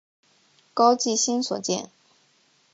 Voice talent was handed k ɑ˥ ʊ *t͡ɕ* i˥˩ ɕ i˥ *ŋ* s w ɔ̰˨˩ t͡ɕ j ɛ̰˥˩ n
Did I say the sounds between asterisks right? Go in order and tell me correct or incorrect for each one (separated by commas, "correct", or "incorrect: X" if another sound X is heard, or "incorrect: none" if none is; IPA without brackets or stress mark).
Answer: correct, incorrect: n